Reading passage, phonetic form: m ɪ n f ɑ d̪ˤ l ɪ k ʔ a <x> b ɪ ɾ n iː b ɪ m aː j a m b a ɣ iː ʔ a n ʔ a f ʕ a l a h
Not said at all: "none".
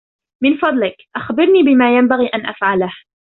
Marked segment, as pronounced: x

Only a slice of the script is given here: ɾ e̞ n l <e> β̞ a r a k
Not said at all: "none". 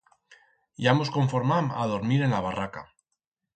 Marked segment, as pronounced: a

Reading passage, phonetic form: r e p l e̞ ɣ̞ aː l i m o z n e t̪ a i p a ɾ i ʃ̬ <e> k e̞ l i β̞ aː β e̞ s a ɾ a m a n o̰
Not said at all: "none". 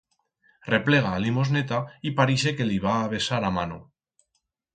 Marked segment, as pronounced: e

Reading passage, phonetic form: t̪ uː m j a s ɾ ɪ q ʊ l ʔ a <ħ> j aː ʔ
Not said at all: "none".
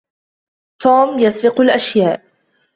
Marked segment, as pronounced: ʃ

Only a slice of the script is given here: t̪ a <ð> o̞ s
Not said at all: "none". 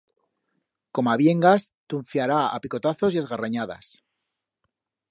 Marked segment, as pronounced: θ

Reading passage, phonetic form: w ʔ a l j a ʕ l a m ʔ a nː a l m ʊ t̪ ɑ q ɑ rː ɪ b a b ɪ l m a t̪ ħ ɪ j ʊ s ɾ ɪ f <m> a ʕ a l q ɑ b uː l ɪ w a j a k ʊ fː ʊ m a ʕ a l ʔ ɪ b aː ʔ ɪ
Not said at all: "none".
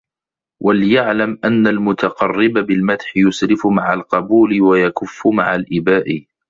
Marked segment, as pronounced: m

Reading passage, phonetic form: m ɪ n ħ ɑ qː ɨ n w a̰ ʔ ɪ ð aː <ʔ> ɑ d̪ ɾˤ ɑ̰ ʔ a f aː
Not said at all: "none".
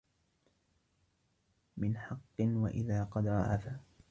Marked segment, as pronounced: q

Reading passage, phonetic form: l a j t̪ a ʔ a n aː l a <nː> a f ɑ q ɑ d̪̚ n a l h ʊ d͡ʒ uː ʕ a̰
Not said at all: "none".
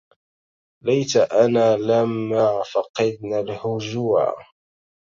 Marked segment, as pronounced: mː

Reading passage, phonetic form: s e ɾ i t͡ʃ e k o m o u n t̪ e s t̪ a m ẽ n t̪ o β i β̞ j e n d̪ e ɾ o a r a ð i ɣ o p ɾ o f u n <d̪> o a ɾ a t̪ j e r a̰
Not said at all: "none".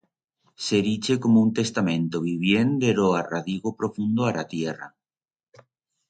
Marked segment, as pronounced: d̪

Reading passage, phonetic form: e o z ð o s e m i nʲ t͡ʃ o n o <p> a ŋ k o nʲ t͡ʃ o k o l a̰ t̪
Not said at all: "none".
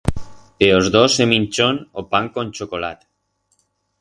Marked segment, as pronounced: p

